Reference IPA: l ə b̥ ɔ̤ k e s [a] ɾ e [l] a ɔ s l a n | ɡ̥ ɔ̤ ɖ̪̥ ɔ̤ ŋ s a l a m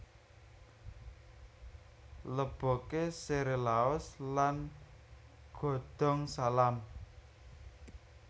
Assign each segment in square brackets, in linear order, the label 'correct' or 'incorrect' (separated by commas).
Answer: incorrect, correct